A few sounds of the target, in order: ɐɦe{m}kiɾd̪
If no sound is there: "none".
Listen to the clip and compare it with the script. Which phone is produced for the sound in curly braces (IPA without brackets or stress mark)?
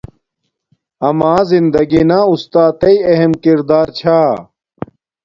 m